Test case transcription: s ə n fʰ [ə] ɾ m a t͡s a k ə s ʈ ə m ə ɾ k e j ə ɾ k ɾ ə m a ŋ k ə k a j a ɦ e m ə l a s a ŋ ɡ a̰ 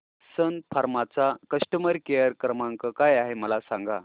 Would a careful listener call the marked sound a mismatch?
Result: yes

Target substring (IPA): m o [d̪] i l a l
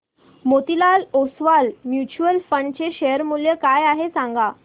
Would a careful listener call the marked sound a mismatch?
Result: yes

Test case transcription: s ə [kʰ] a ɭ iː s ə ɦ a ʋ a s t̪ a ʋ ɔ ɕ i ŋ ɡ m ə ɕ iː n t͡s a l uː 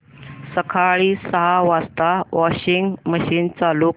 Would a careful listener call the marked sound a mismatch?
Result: no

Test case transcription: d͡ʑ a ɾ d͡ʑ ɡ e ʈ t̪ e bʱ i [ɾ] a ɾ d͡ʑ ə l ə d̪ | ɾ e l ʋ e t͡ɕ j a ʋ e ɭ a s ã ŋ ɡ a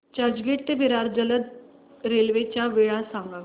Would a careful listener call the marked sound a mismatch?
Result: no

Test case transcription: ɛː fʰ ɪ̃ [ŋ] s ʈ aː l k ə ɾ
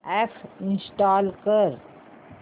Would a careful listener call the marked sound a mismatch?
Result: yes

